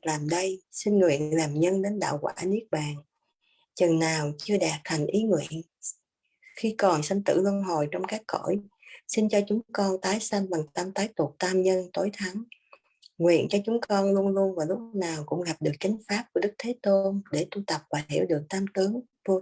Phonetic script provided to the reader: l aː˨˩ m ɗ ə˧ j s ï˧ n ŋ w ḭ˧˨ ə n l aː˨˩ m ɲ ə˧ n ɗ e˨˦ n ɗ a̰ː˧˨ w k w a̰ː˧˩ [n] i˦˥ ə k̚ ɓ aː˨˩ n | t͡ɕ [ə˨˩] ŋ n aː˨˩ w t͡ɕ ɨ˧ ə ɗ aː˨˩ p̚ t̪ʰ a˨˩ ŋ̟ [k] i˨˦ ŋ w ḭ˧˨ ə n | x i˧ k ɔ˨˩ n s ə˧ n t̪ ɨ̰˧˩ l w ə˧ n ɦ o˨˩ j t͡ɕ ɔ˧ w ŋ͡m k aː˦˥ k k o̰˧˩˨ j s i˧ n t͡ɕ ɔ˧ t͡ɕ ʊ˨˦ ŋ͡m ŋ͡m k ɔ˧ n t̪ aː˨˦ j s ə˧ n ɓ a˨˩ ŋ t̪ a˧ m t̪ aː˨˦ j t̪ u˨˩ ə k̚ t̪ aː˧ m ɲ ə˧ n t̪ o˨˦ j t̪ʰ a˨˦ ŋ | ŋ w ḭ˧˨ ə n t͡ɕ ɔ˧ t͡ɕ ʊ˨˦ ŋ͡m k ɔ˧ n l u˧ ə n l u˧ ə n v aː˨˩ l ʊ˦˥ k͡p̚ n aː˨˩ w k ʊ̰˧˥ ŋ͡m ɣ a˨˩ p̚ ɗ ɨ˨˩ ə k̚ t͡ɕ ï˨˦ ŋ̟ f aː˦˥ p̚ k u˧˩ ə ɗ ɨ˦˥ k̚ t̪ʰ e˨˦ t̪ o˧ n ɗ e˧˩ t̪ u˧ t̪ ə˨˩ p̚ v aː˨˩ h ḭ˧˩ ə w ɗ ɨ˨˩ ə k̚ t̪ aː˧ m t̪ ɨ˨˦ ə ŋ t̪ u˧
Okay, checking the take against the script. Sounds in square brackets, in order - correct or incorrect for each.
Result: correct, correct, incorrect

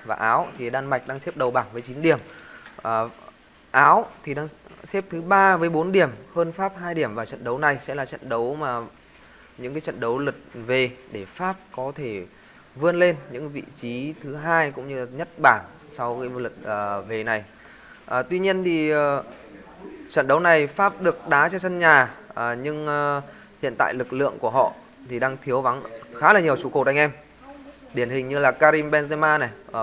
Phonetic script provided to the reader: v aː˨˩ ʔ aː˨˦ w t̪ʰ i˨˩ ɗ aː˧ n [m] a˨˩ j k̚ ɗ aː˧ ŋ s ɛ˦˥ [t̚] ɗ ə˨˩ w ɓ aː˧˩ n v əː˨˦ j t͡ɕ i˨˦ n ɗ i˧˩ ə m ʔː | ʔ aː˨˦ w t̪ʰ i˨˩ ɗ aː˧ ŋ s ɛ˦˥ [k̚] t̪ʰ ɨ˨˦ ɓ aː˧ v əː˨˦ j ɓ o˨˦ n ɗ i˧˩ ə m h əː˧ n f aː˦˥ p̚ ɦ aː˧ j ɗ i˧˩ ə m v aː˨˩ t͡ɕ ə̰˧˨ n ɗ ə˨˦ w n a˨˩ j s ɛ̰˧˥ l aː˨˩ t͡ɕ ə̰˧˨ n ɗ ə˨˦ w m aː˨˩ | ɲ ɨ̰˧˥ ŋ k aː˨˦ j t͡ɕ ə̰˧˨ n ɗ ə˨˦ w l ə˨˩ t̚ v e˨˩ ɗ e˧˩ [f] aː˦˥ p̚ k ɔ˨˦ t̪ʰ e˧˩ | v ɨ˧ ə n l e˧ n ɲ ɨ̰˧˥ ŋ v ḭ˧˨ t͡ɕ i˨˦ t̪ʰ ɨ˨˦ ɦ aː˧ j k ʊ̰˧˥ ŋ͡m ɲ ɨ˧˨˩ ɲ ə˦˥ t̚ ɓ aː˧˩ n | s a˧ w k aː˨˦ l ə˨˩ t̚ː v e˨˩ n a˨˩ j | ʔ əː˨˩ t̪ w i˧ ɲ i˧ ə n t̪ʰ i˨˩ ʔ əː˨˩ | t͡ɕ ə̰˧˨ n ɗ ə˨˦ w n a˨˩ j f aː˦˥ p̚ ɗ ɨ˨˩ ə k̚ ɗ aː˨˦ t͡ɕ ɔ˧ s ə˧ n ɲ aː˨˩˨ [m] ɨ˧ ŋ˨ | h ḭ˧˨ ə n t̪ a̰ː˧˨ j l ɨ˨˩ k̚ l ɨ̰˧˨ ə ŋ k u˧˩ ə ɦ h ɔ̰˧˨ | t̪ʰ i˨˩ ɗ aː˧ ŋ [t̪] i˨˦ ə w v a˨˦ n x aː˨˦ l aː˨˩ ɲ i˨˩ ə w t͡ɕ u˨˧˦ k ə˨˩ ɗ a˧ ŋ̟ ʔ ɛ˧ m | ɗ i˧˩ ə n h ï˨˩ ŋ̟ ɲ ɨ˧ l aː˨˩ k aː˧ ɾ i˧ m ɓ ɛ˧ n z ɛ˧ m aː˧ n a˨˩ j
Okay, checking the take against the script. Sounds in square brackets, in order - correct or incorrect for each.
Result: correct, incorrect, incorrect, correct, incorrect, incorrect

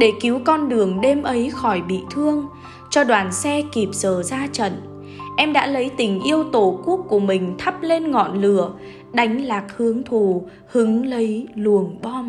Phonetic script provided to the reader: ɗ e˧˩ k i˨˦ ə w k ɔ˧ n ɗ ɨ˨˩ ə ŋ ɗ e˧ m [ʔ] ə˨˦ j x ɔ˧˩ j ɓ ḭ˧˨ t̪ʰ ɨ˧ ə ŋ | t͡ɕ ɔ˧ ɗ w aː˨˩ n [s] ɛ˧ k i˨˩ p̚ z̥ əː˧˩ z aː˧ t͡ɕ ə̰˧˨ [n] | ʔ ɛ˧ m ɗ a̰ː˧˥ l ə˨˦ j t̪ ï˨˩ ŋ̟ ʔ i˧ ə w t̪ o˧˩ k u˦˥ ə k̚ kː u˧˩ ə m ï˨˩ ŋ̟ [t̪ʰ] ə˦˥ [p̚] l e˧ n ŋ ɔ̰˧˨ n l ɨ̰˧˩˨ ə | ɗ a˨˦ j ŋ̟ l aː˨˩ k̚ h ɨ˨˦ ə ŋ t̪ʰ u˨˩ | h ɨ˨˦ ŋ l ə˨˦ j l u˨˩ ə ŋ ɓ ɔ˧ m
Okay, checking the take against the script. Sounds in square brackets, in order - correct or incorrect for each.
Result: correct, correct, correct, correct, correct

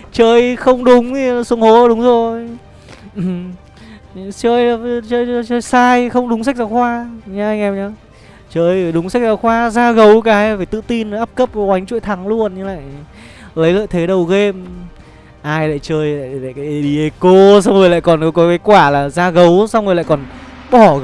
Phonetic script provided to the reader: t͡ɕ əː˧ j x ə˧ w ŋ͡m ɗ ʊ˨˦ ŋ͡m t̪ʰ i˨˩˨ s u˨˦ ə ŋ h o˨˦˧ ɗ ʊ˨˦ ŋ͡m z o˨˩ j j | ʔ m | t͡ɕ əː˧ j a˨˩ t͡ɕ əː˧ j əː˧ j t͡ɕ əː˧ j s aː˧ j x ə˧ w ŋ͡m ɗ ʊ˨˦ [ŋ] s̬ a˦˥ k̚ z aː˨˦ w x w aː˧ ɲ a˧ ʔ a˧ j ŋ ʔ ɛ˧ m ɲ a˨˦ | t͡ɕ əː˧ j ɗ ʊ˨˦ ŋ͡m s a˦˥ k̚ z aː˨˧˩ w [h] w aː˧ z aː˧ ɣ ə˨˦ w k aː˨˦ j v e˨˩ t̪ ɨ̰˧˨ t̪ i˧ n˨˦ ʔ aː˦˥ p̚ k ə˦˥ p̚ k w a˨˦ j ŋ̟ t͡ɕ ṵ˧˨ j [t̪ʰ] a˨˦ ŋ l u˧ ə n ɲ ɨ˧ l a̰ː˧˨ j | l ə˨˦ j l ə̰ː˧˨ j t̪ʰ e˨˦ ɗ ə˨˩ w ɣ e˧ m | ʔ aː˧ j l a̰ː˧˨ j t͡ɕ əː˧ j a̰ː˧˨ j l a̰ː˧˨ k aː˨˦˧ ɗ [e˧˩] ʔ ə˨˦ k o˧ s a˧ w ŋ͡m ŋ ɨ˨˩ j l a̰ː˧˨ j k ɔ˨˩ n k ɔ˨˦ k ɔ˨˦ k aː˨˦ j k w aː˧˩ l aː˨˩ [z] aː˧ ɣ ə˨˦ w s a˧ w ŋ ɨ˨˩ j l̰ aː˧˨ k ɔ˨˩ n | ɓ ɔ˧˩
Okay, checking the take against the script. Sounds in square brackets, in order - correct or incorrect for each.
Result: incorrect, incorrect, correct, incorrect, correct

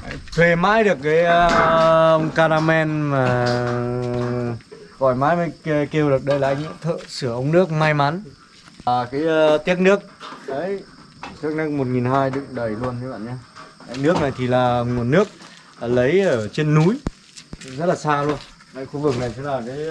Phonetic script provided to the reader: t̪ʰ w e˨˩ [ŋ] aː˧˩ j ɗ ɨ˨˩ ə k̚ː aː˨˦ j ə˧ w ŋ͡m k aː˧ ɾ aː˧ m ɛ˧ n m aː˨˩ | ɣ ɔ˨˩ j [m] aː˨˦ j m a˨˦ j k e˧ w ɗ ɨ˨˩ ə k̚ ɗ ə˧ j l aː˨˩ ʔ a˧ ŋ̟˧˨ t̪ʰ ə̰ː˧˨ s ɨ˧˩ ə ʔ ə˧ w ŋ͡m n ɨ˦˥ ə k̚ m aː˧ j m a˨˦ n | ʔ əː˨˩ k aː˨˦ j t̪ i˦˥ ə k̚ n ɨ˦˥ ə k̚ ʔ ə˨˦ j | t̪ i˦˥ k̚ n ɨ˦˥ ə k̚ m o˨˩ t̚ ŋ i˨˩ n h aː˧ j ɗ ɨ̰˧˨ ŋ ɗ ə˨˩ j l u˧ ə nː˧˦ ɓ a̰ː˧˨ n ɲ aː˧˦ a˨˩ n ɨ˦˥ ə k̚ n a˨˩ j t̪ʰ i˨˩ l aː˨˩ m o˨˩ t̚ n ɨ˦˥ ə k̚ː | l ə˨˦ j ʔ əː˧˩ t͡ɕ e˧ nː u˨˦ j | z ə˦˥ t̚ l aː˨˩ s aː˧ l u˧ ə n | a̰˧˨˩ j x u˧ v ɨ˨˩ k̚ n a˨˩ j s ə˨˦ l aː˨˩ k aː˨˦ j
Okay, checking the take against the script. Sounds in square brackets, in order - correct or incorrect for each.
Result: incorrect, correct

